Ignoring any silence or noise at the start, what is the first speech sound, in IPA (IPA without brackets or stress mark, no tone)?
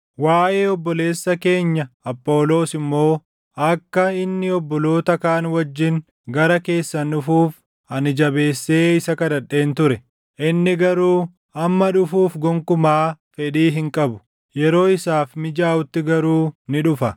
w